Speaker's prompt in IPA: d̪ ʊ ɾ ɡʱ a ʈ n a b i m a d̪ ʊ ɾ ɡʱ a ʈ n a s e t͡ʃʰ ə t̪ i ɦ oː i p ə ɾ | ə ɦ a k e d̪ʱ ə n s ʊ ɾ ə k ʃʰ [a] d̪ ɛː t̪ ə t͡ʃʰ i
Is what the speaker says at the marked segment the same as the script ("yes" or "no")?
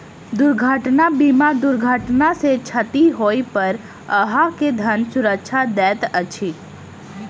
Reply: yes